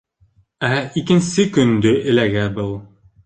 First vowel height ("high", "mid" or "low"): low